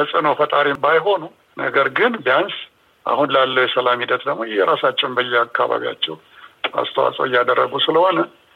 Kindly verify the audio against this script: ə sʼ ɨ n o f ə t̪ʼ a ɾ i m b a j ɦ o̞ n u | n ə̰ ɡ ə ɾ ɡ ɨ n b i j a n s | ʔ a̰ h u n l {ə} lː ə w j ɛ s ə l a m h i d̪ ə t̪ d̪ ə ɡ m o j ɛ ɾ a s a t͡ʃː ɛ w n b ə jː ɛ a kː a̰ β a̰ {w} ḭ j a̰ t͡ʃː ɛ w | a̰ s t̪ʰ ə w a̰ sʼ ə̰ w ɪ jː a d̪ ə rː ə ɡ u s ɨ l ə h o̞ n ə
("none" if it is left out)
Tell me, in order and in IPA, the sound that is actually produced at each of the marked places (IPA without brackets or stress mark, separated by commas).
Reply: a, β